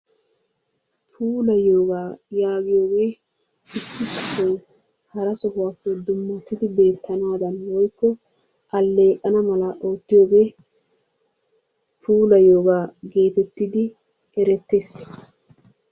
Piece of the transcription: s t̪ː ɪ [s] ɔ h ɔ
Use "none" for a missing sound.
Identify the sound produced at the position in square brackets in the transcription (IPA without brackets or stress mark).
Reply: s